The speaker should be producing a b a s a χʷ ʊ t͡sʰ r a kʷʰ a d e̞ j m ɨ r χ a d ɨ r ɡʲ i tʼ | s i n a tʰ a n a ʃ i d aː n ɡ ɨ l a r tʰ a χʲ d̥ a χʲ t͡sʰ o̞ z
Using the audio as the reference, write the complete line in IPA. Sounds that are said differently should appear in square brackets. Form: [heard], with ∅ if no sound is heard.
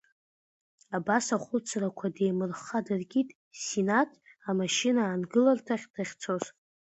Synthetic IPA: a b a s a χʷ ʊ t͡sʰ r a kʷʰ a d e̞ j m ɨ r χ a d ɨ r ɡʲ i tʼ | s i n a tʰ a [m] a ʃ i [n] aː n ɡ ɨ l a r tʰ a χʲ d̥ a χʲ t͡sʰ o̞ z